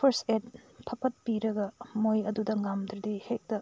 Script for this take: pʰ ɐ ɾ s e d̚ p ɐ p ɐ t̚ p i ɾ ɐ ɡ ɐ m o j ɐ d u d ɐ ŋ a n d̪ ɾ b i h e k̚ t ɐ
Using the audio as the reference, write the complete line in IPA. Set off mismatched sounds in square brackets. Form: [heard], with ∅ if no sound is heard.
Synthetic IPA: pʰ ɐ ɾ s e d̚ [pʰ] ɐ p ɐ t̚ p i ɾ ɐ ɡ ɐ m o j ɐ d u d ɐ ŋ a [m] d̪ ɾ [d] i h e k̚ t ɐ